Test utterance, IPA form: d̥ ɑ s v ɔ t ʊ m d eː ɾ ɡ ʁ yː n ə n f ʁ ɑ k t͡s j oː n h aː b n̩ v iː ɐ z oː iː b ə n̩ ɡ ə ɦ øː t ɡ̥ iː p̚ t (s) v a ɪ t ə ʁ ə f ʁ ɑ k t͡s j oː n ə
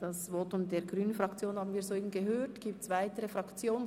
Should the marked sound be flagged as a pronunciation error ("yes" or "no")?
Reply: no